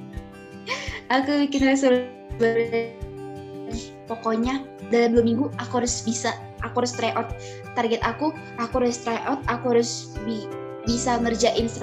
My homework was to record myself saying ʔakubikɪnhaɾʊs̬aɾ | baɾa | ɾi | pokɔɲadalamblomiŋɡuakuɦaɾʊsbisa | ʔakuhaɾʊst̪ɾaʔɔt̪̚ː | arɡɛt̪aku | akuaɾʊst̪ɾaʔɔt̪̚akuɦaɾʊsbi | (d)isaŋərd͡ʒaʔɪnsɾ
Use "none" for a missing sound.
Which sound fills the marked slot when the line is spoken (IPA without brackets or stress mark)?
b